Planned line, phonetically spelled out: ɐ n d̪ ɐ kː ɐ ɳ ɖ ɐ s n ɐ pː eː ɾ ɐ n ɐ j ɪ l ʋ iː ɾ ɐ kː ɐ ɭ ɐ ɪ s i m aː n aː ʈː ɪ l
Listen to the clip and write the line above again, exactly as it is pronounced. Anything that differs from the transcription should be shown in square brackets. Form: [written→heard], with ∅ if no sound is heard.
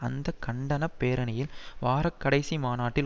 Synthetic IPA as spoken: ɐ n d̪ ɐ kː ɐ ɳ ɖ ɐ [s→∅] n ɐ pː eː ɾ ɐ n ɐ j ɪ l ʋ [iː→aː] ɾ ɐ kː ɐ [ɭ→ɽ] ɐ ɪ s i m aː n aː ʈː ɪ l